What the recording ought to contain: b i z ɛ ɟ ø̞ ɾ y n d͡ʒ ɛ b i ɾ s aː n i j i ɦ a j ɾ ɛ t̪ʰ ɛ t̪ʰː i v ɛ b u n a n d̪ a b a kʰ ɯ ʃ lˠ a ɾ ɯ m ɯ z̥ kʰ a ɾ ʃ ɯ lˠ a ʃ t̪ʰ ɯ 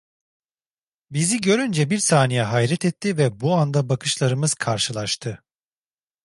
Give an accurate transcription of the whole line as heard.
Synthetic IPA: b i z i ɟ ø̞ ɾ y n d͡ʒ ɛ b i ɾ s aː n i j ɛ ɦ a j ɾ ɛ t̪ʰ ɛ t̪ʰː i v ɛ b u a n d̪ a b a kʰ ɯ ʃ lˠ a ɾ ɯ m ɯ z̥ kʰ a ɾ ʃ ɯ lˠ a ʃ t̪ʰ ɯ